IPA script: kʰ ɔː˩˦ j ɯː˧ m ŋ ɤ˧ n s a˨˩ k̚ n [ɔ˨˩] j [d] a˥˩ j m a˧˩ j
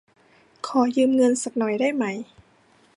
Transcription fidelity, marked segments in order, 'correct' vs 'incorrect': correct, correct

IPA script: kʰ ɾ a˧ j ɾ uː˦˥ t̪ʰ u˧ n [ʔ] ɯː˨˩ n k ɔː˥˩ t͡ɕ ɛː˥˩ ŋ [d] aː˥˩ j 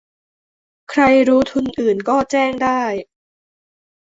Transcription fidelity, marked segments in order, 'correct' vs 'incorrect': correct, correct

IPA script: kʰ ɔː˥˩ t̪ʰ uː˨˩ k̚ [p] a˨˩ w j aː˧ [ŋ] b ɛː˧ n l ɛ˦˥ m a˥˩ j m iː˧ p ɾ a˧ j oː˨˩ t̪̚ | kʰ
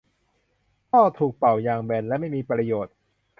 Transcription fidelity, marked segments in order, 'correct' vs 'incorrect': correct, correct

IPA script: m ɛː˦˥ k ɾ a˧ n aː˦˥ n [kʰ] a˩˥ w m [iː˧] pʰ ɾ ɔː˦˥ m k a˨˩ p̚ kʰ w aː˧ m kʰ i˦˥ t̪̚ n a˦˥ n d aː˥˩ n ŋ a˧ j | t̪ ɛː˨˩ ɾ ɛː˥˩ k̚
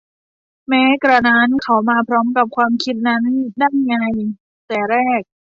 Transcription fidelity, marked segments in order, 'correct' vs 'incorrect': correct, incorrect: aː˧

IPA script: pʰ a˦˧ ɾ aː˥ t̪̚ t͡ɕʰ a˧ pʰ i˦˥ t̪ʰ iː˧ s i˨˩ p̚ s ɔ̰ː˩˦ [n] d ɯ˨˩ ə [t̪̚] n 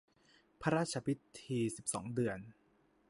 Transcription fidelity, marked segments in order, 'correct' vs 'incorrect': incorrect: ŋ, incorrect: none

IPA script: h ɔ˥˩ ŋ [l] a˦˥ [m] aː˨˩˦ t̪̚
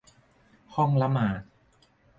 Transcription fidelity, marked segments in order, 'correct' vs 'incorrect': correct, correct

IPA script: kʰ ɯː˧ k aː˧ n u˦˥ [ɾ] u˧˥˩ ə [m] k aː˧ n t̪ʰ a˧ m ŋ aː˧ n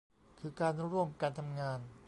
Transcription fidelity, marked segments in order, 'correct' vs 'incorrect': correct, correct

